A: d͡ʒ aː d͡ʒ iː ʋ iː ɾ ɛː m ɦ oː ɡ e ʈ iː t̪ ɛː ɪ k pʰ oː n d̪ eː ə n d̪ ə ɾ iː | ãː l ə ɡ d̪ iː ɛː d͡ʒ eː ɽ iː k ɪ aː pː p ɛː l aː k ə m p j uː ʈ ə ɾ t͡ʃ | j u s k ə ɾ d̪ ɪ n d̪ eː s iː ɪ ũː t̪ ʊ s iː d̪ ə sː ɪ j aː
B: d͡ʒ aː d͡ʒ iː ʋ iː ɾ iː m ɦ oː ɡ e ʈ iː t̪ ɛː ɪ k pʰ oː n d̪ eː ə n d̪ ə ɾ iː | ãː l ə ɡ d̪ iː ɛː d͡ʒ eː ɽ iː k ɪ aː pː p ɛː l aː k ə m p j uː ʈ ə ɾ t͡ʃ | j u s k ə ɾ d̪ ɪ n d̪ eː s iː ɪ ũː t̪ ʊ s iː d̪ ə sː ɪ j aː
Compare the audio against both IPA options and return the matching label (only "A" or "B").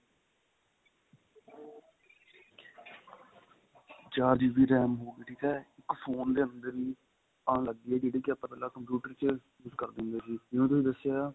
A